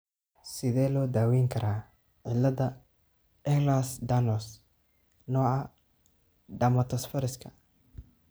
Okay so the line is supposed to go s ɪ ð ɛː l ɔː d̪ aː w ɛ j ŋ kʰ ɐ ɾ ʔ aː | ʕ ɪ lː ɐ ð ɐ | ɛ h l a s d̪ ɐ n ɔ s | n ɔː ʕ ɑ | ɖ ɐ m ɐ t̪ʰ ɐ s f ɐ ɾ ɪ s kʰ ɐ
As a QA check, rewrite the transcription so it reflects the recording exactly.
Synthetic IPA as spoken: s ɪ ð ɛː l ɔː d̪ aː w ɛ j ŋ kʰ ɐ ɾ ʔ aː | ʕ ɪ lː ɐ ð ɐ | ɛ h l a s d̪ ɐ n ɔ s | n ɔː ʕ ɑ | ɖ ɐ m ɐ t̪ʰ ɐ s f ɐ ɾ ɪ s kʰ ɐ